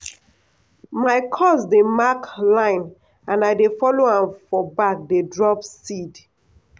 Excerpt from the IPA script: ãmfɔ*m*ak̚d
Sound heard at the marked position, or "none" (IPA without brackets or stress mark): b